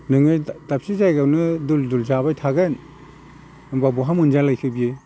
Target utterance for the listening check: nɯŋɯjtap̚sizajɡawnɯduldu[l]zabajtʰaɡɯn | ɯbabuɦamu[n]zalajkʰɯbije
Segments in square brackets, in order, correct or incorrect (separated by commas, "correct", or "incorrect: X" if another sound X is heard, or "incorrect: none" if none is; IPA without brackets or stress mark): correct, correct